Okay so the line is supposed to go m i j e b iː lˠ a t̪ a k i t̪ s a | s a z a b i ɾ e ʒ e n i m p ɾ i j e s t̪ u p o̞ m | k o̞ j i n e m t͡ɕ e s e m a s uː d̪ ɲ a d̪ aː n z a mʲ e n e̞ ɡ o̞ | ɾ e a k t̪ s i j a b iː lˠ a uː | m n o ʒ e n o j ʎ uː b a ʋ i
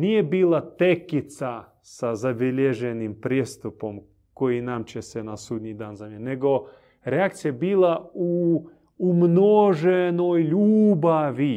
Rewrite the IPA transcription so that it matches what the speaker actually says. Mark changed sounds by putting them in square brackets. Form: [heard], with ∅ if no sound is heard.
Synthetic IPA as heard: [n] i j e b iː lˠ a t̪ [e] k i t̪ s a | s a z a b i [ʎ] e ʒ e n i m p ɾ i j e s t̪ u p o̞ m | k o̞ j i n [a] m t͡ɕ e s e [n] a s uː d̪ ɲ [i] d̪ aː n z a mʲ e n e̞ ɡ o̞ | ɾ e a k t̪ s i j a b iː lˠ a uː | m n o ʒ e n o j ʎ uː b a ʋ i